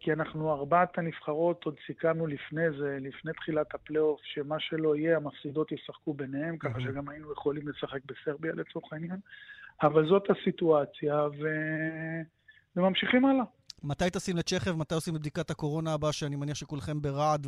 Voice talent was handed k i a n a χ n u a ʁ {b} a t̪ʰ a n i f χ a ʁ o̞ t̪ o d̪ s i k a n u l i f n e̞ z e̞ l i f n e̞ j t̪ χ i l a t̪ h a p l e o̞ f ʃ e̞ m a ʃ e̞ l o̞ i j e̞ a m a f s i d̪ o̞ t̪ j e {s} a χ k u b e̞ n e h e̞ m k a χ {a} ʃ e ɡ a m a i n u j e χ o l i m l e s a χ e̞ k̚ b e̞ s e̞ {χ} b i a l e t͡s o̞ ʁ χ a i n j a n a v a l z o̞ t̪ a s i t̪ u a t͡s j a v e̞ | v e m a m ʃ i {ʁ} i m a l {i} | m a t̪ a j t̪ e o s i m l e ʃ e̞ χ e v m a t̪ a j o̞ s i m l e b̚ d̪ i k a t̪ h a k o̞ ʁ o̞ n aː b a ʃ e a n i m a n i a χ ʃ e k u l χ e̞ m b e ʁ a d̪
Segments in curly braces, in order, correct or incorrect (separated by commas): correct, correct, correct, incorrect, incorrect, incorrect